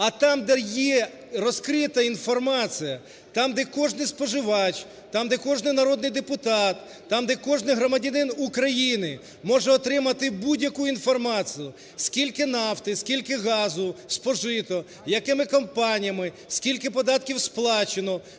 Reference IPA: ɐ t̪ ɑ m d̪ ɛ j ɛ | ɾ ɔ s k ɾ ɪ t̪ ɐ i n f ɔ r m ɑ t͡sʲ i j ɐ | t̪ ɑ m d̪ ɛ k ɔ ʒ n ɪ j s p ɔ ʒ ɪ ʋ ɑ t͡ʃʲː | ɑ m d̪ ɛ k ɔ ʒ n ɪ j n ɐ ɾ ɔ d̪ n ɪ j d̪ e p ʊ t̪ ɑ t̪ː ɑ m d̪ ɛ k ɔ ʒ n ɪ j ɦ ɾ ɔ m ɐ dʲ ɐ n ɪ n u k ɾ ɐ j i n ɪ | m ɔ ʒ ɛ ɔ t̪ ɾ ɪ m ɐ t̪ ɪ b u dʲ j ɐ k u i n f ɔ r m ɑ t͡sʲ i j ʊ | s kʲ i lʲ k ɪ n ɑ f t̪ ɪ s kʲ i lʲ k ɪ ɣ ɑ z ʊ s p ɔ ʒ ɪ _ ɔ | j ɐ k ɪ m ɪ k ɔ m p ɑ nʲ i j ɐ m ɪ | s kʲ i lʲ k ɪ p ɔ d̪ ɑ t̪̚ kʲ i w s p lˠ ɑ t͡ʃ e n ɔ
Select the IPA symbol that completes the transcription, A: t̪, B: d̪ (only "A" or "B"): A